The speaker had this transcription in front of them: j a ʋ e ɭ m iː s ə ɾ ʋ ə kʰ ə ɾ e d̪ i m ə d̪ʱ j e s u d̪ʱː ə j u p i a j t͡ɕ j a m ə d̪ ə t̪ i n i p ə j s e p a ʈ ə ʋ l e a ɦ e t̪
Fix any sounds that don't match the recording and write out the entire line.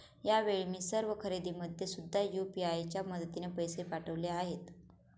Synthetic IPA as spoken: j a ʋ e ɭ m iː s ə ɾ ʋ ə kʰ ə ɾ e d̪ i m ə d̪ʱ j e s u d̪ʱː a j u p i a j t͡ɕ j a m ə d̪ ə t̪ i n e p ə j s e p a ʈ ə ʋ l e a ɦ e t̪